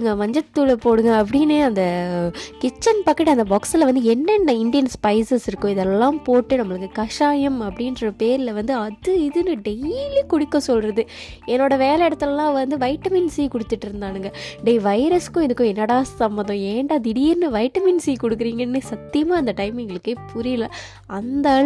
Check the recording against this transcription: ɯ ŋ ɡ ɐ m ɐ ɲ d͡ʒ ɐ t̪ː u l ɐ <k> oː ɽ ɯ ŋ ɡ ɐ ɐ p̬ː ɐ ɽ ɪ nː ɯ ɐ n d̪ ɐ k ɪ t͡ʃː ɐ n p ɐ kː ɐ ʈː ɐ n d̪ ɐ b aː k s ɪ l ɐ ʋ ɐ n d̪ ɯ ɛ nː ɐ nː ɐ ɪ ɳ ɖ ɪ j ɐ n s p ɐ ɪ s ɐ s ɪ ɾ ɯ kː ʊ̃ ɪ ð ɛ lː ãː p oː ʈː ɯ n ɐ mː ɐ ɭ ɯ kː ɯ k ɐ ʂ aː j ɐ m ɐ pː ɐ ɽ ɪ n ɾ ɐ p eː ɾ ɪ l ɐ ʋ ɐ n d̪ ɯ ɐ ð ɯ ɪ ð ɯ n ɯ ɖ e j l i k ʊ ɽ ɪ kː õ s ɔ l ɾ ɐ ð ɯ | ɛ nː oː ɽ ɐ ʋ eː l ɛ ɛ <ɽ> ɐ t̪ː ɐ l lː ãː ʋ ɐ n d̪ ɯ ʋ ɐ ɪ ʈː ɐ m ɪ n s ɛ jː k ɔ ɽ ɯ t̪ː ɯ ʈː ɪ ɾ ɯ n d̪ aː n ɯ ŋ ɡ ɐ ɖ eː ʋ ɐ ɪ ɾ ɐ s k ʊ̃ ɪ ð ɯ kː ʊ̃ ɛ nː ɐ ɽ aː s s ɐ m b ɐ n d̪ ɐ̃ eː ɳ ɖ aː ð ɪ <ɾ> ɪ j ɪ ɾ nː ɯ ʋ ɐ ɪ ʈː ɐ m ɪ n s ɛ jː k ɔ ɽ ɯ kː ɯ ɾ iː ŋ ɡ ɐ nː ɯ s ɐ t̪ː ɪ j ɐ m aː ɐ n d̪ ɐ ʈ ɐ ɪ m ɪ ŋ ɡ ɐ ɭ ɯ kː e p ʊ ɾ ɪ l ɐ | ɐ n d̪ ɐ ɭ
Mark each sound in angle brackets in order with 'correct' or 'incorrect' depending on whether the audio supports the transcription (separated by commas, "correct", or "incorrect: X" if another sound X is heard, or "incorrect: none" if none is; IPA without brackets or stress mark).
incorrect: p, correct, incorrect: ɽ